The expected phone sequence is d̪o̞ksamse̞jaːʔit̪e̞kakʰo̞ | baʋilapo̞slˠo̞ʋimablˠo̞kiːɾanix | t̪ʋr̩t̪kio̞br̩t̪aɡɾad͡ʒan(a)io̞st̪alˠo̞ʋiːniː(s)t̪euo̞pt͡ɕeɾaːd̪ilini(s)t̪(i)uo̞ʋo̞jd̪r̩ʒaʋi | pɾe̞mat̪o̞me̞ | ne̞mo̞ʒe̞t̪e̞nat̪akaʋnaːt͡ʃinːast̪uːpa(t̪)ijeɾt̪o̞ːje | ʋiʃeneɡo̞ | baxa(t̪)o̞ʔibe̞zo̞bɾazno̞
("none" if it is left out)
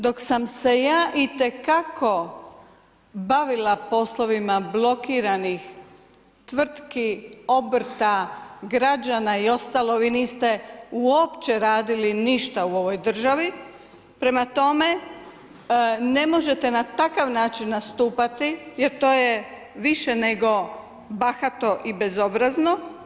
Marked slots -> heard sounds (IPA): a, s, ʃ, a, t̪, t̪

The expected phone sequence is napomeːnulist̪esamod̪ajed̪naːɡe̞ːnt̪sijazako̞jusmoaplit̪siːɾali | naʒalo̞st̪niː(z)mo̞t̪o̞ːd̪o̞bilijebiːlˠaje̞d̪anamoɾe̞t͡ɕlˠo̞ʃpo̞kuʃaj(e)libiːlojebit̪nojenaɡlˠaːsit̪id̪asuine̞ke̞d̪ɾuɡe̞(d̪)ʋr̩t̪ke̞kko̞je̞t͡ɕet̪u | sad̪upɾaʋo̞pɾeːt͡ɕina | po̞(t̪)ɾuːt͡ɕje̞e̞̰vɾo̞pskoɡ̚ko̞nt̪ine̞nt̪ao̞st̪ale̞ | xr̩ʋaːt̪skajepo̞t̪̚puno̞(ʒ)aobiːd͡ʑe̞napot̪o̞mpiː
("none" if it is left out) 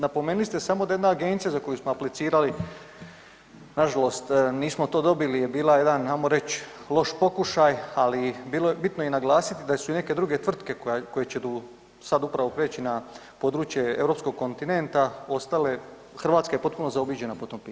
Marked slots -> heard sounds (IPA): s, a, t̪, d̪, z

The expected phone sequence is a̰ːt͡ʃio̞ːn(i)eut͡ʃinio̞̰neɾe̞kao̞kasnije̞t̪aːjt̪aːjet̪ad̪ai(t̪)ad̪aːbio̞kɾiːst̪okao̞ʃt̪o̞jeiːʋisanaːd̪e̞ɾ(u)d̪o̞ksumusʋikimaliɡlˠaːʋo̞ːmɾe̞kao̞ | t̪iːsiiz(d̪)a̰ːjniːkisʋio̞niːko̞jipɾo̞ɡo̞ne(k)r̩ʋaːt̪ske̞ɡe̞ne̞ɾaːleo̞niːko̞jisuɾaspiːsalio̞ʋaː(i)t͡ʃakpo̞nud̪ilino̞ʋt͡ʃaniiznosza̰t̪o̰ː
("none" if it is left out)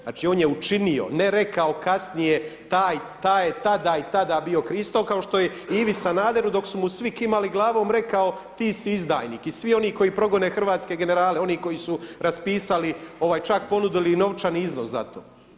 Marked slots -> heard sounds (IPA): j, t̪, u, d̪, x, j

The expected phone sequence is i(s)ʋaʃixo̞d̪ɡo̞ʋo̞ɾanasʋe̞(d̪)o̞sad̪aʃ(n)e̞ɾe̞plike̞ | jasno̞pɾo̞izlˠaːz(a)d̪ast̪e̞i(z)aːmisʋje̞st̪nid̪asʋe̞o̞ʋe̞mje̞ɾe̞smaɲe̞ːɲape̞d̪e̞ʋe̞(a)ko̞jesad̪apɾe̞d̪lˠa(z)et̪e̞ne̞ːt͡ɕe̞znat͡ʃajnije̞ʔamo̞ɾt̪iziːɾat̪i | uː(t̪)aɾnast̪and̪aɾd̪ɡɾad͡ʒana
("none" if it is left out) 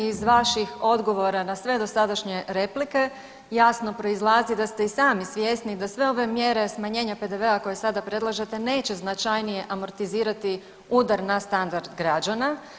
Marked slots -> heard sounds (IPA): z, d̪, ɲ, i, s, a, ʒ, d̪

